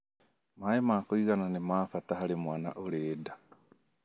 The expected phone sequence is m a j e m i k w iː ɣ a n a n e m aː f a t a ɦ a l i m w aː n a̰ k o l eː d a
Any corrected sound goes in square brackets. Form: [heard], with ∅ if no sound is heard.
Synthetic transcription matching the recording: m a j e m [a] k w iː ɣ a n a n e m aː f a t a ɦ a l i m w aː n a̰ [ʔ] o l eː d a